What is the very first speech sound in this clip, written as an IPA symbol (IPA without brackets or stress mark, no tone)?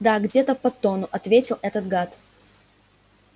d̪